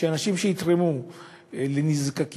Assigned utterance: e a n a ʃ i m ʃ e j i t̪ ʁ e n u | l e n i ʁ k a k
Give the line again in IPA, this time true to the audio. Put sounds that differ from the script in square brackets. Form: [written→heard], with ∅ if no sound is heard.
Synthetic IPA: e a n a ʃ i m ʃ e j i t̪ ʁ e [n→m] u | l e n i [ʁ→z] k a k